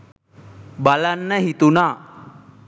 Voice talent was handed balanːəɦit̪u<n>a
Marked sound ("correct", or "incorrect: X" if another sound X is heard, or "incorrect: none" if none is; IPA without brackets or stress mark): correct